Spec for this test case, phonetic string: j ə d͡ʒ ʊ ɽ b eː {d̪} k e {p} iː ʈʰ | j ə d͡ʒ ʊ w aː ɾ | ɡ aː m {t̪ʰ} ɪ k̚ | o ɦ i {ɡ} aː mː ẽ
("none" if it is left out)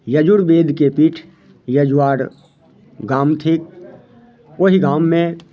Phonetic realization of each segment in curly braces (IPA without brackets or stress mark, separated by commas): d̪, p, t̪ʰ, ɡ